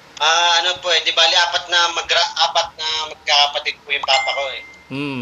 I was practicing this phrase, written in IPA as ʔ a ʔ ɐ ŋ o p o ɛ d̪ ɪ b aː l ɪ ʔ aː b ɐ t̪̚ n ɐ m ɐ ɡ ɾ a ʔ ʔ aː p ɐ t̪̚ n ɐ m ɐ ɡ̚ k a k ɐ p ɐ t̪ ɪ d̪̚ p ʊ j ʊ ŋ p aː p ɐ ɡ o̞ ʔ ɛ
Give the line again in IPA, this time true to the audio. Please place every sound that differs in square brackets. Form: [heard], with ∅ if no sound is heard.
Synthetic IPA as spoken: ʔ a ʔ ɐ [n] o p o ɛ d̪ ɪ b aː l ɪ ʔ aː [p] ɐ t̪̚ n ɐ m ɐ ɡ ɾ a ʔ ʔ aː p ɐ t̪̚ n ɐ m ɐ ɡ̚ k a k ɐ p ɐ t̪ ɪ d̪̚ p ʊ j ʊ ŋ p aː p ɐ [k] o̞ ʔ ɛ